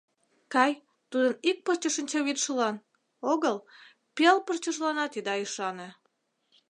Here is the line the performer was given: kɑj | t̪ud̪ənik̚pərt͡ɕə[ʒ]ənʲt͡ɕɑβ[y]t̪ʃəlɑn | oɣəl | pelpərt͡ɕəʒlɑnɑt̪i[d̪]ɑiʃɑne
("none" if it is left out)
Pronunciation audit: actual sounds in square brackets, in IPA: ʃ, i, d̪

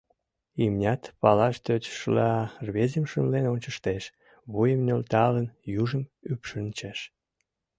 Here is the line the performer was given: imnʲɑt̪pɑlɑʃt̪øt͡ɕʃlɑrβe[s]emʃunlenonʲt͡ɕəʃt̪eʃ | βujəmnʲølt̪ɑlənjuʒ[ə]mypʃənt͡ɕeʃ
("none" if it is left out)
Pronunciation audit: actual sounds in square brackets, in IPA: z, ə

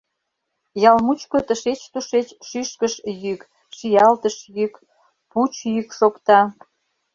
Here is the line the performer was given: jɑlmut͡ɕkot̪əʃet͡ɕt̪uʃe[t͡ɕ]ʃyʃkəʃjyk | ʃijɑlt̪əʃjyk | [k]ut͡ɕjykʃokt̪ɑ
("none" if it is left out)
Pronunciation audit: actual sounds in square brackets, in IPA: t͡ɕ, p

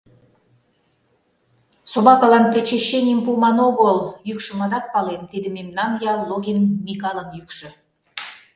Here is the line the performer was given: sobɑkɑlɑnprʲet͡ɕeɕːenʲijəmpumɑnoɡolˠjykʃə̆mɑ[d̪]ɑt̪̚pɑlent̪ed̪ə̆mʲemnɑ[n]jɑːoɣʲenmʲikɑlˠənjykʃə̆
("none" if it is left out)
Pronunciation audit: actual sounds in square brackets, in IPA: d̪, n

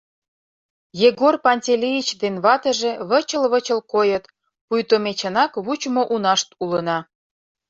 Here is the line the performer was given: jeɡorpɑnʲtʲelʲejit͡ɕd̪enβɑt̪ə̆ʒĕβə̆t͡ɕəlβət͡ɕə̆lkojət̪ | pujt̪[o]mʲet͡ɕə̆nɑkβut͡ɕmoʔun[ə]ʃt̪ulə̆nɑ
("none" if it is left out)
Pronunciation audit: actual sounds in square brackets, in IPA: o, ɑ

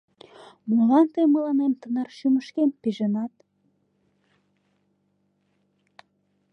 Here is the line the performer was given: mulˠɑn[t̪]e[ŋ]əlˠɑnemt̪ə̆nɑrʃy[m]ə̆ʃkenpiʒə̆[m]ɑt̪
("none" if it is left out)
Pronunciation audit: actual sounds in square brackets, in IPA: t̪, m, m, n

